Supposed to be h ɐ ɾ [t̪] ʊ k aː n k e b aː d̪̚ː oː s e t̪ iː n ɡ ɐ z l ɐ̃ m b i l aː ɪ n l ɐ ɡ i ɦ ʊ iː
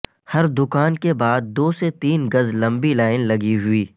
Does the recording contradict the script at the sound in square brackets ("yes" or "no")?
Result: yes